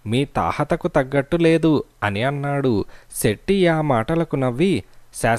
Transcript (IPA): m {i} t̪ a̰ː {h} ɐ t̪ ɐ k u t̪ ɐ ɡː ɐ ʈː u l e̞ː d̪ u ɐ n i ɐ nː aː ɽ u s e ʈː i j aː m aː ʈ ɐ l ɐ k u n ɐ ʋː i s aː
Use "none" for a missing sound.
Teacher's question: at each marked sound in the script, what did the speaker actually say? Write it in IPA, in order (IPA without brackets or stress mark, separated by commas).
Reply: iː, h